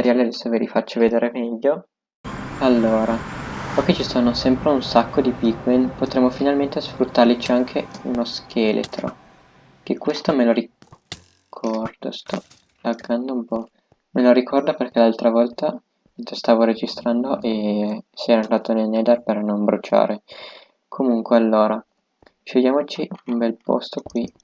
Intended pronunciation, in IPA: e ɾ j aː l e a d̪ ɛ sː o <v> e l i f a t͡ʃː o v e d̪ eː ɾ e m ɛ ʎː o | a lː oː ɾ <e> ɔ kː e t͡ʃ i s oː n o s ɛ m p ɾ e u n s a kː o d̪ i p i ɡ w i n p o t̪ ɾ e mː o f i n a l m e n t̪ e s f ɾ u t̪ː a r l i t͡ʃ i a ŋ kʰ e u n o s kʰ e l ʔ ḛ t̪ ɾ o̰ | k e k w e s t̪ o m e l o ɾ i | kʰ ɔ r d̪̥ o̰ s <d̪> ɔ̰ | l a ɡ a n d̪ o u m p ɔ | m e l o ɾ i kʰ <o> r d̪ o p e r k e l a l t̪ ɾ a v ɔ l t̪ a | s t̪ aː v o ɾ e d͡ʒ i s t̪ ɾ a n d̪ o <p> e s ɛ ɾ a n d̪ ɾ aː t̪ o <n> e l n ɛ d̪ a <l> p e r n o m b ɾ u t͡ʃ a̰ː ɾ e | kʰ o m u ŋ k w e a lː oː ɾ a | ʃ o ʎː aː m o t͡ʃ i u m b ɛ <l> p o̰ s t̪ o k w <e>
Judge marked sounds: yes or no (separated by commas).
yes, no, no, no, no, yes, no, yes, no